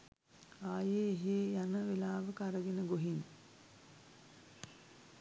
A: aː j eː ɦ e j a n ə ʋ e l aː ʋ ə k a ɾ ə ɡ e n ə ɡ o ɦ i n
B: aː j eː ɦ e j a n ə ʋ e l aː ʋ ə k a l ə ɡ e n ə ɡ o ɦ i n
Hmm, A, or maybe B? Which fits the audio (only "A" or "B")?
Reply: A